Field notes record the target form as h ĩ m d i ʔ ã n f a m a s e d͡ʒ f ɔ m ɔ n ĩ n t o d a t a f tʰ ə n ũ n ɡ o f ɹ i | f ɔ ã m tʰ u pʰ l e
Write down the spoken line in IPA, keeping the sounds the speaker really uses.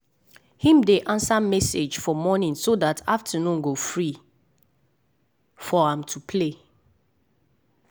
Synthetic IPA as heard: h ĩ m d e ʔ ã n s a m ɛ s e d͡ʒ f ɔ m ɔ n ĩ n s o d a t a f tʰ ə n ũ n ɡ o f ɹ i | f ɔ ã m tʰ u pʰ l e